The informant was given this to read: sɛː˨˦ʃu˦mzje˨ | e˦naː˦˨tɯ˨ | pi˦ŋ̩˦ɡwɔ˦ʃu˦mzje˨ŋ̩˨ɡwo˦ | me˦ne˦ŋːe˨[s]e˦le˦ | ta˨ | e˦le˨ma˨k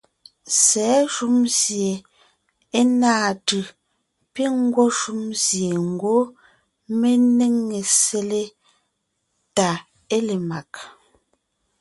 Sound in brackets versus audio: correct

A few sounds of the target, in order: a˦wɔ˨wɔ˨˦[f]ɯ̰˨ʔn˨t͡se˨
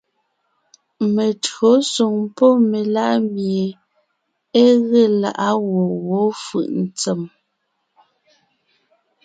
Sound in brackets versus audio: correct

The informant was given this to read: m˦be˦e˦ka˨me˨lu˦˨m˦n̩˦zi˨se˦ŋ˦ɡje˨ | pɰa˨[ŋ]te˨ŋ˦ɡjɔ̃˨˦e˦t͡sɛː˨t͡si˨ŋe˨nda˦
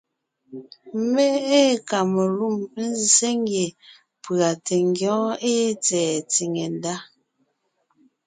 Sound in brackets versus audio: incorrect: none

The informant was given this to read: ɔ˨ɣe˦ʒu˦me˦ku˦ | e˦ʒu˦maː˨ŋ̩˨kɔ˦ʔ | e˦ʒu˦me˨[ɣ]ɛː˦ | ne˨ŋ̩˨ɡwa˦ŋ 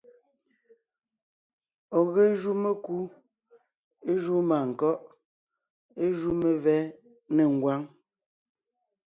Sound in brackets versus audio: incorrect: v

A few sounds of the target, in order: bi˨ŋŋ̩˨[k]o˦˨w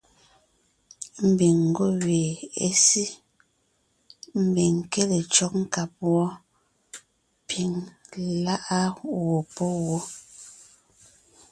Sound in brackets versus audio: incorrect: ɡ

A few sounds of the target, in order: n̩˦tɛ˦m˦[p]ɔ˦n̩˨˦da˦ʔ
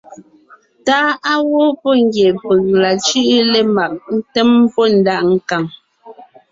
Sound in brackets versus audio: correct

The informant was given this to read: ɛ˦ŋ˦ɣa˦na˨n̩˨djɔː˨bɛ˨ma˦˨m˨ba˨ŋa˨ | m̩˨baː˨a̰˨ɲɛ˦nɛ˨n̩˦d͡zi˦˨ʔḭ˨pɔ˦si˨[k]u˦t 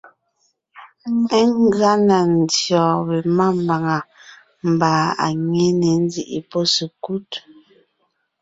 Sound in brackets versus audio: correct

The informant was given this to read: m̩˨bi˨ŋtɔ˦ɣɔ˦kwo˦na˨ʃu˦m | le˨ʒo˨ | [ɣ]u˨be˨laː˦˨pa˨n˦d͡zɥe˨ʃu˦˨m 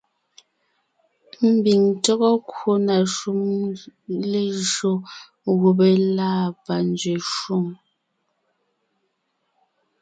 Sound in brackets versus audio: correct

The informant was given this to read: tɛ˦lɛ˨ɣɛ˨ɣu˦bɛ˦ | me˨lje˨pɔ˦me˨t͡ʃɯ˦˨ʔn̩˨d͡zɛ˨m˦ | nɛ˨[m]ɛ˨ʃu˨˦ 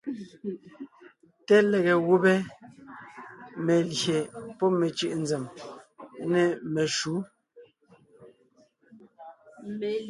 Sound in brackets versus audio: correct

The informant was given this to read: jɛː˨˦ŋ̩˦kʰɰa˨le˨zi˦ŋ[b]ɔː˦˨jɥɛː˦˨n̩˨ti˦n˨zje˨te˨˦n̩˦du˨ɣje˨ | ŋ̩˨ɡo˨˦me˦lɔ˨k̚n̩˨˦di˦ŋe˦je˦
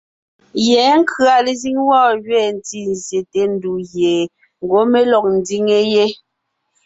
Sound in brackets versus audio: incorrect: w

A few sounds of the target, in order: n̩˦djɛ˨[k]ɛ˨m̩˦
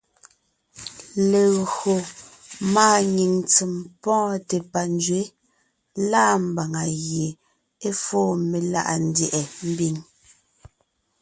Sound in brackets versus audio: incorrect: ʔ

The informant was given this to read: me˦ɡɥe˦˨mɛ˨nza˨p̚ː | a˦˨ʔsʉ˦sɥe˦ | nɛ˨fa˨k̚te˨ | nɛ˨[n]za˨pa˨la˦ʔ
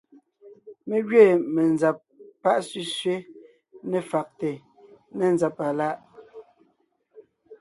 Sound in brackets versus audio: correct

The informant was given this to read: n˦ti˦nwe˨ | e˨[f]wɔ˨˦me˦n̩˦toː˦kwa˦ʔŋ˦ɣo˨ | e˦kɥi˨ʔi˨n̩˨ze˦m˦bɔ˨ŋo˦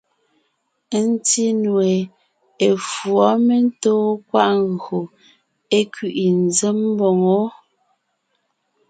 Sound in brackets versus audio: correct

